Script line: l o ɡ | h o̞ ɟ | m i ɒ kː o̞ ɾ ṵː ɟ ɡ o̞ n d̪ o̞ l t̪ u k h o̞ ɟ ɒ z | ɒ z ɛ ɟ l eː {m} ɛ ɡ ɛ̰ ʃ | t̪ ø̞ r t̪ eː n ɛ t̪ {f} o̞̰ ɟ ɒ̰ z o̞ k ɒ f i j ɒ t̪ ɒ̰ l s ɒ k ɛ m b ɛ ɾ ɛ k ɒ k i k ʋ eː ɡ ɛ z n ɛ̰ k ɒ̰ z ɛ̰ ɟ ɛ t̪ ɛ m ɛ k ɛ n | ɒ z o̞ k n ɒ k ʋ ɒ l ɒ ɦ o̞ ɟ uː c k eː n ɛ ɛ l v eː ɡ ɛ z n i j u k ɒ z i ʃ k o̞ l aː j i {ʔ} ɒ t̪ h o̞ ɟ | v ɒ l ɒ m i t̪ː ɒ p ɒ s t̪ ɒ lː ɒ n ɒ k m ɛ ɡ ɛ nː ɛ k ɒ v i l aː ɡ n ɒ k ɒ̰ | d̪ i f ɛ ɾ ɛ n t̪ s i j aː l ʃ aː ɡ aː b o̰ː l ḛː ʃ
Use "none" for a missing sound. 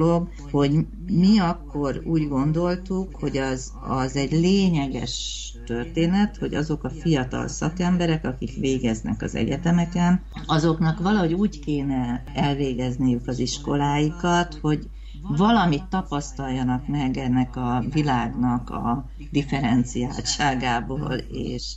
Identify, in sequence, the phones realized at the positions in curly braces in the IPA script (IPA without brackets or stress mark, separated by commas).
ɲ, h, k